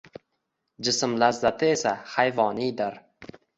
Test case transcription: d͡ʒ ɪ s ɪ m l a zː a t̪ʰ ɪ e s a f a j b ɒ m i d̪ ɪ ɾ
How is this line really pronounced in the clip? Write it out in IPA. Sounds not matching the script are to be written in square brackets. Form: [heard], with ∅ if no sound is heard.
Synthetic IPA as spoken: d͡ʒ ɪ s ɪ m l a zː a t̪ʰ ɪ e s a [h] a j [v] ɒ [n] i d̪ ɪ ɾ